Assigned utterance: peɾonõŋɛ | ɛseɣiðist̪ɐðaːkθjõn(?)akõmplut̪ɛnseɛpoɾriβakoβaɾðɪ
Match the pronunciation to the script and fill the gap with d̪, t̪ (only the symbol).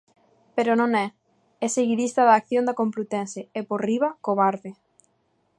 d̪